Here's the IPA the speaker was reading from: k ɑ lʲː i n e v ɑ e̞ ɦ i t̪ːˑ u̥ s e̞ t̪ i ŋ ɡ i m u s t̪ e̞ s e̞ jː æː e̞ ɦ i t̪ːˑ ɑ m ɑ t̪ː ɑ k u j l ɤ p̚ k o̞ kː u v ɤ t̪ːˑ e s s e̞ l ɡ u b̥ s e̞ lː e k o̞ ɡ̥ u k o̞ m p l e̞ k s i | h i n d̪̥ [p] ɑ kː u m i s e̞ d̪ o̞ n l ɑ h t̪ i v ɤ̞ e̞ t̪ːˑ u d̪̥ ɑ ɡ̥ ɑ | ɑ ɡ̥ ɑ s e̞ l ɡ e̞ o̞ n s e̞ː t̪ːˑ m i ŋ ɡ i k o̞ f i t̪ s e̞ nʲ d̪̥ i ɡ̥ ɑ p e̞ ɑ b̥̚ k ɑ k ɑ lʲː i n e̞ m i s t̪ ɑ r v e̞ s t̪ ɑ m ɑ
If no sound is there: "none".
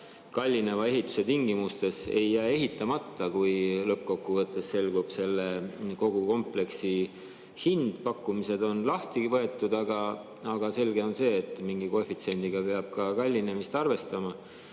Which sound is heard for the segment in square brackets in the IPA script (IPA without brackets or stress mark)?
p